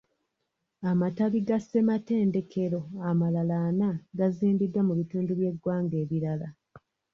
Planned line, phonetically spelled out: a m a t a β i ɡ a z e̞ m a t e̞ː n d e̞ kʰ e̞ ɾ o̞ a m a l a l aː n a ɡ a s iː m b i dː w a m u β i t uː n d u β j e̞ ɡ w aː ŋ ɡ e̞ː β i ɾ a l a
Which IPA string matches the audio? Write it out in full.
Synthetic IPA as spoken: a m a t a β i ɡ a s e̞ m a t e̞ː n d e̞ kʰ e̞ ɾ o̞ a m a l a l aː n a ɡ a z iː m b i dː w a m u β i t uː n d u β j e̞ ɡ w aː ŋ ɡ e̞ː β i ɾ a l a